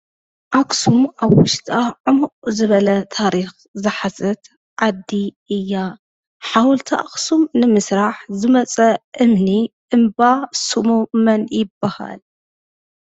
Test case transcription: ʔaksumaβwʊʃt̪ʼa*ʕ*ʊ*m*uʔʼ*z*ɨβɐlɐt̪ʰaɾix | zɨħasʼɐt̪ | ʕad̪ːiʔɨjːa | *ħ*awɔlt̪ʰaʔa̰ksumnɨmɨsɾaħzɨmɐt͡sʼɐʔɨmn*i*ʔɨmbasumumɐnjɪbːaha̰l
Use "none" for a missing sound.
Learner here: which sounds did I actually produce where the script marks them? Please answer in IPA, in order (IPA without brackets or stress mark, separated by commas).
ʕ, m, z, ħ, i